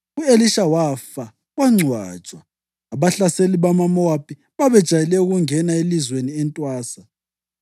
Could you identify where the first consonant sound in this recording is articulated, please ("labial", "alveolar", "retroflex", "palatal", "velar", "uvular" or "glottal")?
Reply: alveolar